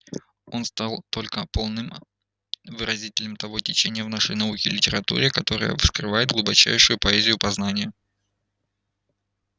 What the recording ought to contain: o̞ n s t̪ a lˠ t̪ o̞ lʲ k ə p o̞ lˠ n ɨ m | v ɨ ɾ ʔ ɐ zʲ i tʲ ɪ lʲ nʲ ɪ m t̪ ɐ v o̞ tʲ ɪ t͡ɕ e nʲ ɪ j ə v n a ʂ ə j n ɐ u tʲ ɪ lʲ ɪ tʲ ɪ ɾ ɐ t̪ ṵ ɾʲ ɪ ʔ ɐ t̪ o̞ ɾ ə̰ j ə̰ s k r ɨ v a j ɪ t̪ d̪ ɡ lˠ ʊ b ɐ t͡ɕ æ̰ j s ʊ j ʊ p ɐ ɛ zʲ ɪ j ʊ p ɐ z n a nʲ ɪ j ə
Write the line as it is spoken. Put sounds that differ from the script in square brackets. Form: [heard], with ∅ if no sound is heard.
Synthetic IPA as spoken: o̞ n s t̪ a lˠ t̪ o̞ lʲ k ə p o̞ lˠ n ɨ m | v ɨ ɾ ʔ ɐ zʲ i tʲ ɪ lʲ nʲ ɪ m t̪ ɐ v o̞ tʲ ɪ t͡ɕ e nʲ ɪ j ə v n a ʂ ə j n ɐ u [kʲ] ɪ lʲ ɪ tʲ ɪ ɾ ɐ t̪ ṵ ɾʲ ɪ [k] ɐ t̪ o̞ ɾ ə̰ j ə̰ s k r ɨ v a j ɪ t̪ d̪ ɡ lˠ ʊ b ɐ t͡ɕ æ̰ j [ʂ] ʊ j ʊ p ɐ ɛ zʲ ɪ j ʊ p ɐ z n a nʲ ɪ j ə